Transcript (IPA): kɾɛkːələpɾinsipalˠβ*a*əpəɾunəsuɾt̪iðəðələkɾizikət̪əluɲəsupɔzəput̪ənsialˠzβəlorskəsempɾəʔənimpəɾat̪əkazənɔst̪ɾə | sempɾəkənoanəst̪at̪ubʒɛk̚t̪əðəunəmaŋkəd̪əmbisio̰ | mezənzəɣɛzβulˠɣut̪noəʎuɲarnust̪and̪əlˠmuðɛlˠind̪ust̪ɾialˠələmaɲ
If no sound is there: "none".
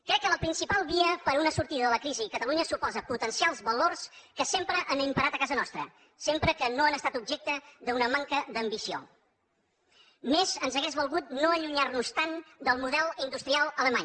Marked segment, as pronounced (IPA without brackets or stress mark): i